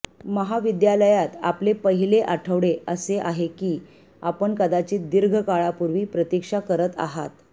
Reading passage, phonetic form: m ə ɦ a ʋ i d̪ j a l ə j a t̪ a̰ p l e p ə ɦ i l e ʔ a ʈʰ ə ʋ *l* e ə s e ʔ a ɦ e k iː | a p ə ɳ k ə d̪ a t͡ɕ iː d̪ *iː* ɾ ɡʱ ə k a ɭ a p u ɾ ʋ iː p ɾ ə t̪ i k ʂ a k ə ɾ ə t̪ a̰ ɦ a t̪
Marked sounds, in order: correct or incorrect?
incorrect: ɽ, incorrect: i

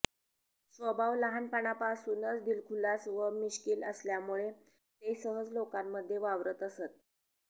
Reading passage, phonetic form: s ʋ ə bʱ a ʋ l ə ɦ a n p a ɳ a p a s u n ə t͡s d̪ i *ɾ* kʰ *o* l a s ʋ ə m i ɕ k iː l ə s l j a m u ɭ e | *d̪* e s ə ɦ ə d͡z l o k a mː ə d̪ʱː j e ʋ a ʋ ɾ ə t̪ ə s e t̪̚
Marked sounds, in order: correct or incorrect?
incorrect: l, incorrect: u, incorrect: t̪

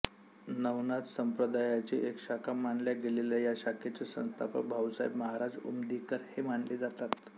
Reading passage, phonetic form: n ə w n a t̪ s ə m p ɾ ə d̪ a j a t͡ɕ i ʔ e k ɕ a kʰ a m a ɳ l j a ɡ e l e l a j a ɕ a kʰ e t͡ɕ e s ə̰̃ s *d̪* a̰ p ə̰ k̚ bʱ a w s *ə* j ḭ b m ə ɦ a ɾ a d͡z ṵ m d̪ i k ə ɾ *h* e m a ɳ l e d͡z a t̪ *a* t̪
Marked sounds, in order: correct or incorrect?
incorrect: t̪, incorrect: a, correct, correct

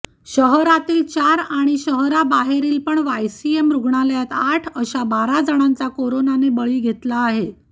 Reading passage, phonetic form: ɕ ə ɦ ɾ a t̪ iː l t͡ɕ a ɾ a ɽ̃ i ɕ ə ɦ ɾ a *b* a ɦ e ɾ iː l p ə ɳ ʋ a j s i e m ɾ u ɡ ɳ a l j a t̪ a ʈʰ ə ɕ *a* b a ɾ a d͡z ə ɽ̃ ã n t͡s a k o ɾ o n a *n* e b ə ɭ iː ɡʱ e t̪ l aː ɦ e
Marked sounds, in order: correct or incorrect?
correct, correct, correct

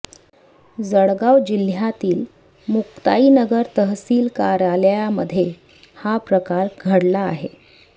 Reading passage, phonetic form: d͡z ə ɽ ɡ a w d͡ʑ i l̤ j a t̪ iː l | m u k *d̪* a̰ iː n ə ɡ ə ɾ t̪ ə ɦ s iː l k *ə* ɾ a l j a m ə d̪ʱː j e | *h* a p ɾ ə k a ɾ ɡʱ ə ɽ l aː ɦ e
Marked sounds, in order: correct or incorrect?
incorrect: t̪, incorrect: a, correct

